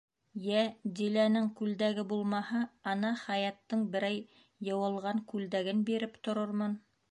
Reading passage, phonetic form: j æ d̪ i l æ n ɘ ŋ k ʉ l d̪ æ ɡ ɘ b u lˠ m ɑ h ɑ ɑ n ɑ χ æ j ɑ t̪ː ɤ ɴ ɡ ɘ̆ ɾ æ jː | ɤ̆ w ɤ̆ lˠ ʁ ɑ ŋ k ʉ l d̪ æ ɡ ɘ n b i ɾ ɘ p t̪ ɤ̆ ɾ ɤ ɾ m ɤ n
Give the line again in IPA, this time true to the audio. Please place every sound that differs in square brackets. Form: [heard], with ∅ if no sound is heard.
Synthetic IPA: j æ d̪ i l æ n ɘ ŋ k ʉ l d̪ æ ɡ ɘ b u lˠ m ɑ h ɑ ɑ n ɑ χ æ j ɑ t̪ː ɤ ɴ [b] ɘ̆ ɾ æ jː | ɤ̆ w ɤ̆ lˠ ʁ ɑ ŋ k ʉ l d̪ æ ɡ ɘ n b i ɾ ɘ p t̪ [ŏ] ɾ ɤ ɾ m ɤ n